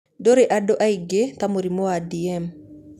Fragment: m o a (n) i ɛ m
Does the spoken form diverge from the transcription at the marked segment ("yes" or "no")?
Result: yes